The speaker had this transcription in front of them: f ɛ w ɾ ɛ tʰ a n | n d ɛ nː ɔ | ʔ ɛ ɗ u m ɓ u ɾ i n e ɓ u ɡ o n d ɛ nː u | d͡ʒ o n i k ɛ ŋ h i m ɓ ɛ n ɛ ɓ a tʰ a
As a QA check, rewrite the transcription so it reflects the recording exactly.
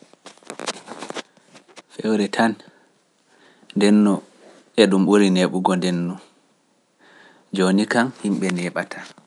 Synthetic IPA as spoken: f ɛ w ɾ ɛ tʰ a n | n d ɛ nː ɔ | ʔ ɛ ɗ u m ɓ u ɾ i n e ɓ u ɡ ɔ n d ɛ nː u | d͡ʒ o n i k a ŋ h i m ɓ ɛ n ɛ ɓ a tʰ a